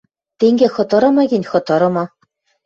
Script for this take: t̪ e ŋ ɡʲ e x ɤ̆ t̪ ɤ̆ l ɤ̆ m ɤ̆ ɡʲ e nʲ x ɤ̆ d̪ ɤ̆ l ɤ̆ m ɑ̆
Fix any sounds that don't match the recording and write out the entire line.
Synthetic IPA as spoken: t̪ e ŋ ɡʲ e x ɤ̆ t̪ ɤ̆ ɾ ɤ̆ m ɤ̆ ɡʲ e nʲ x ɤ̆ t̪ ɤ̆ ɾ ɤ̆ m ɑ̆